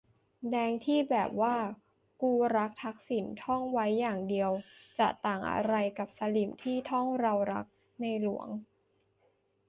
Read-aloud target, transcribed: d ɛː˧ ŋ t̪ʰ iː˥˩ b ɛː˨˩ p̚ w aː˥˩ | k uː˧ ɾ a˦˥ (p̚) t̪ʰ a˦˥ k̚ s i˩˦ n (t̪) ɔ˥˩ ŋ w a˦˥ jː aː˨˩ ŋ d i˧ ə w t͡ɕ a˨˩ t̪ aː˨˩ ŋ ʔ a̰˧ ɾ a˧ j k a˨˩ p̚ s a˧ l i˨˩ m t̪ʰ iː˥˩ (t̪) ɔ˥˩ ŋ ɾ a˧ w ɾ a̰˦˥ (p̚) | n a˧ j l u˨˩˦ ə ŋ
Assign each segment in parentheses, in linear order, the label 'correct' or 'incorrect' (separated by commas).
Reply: incorrect, incorrect, incorrect, incorrect